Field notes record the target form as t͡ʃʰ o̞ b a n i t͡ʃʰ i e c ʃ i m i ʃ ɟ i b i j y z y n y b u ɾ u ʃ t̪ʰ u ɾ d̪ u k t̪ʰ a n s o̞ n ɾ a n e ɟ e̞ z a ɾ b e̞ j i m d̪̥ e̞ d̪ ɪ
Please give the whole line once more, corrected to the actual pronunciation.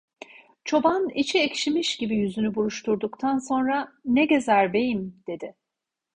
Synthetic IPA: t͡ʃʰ o̞ b a n i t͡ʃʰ i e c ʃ i m i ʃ ɟ i b i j y z y n y b u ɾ u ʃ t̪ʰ u ɾ d̪ u k t̪ʰ a n s o̞ n ɾ a n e ɟ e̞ z æ ɾ b e̞ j i m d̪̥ e̞ d̪ ɪ